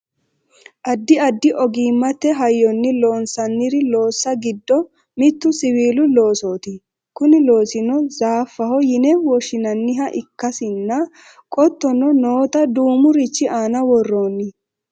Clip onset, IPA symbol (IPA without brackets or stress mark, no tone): ʔ